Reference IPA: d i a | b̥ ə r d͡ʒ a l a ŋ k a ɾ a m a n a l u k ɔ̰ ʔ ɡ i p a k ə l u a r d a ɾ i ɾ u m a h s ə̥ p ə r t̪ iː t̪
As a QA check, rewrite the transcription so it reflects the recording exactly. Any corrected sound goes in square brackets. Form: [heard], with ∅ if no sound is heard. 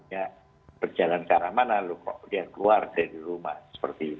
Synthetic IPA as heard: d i a | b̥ ə r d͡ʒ a l a [n] k a ɾ a m a n a l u k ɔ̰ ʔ [d] i [∅] a k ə l u a r d a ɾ i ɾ u m a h s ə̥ p ə r t̪ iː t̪